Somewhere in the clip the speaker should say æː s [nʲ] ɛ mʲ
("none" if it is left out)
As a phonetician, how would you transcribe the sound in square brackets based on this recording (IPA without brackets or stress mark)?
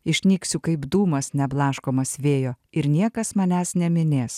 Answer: nʲ